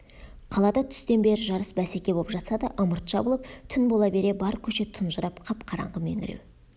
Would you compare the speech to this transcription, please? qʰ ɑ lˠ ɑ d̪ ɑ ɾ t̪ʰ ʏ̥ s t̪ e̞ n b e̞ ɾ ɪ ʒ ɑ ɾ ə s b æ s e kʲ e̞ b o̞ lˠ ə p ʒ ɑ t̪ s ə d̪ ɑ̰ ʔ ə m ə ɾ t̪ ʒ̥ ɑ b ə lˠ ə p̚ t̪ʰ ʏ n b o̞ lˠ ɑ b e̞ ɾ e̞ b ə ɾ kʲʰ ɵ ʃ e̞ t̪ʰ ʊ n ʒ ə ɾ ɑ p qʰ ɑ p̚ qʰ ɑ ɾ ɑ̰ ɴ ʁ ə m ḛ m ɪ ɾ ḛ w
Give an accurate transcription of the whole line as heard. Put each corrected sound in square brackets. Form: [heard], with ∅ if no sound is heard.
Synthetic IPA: qʰ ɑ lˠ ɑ d̪ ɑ [∅] t̪ʰ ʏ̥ s t̪ e̞ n b e̞ ɾ ɪ ʒ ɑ ɾ ə s b æ s e kʲ e̞ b o̞ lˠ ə p ʒ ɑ t̪ s [ɑ] d̪ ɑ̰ ʔ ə m ə ɾ t̪ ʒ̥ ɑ b ə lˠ ə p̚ t̪ʰ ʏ n b o̞ lˠ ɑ b e̞ ɾ e̞ b [ɑ] ɾ kʲʰ ɵ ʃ e̞ t̪ʰ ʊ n ʒ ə ɾ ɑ p qʰ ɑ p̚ qʰ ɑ ɾ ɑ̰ ɴ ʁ ə m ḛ [ŋ] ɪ ɾ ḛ w